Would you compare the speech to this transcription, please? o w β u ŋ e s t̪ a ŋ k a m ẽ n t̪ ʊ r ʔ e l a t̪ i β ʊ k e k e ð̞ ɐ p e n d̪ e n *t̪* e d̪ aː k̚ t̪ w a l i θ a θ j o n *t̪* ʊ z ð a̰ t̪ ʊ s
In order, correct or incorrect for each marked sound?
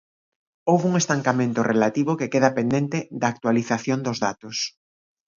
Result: correct, incorrect: d̪

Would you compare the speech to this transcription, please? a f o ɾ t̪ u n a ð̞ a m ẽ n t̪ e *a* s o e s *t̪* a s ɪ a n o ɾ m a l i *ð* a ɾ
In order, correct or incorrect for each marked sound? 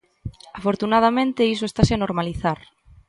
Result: incorrect: i, correct, incorrect: θ

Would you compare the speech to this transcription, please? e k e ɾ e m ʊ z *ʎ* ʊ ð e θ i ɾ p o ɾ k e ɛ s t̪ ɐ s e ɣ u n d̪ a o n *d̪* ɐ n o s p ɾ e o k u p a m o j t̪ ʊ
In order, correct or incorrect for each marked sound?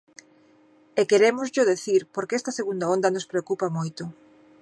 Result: correct, correct

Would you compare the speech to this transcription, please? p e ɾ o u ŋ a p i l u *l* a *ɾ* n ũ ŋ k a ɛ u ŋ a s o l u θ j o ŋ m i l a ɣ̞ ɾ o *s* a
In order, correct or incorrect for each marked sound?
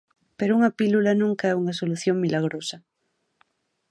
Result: correct, incorrect: none, correct

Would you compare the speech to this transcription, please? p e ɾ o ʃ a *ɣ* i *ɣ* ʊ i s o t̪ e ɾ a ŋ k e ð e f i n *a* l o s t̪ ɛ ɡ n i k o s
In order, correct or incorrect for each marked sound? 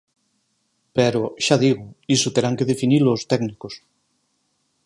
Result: incorrect: ð, correct, incorrect: i

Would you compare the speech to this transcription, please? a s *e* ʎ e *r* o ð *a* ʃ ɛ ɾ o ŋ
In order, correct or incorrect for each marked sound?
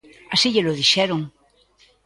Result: incorrect: i, incorrect: l, incorrect: i

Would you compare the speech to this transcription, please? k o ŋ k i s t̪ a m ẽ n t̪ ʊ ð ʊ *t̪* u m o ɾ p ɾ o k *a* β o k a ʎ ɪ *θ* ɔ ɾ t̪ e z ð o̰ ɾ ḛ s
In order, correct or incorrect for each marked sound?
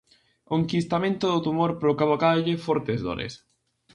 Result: correct, correct, incorrect: f

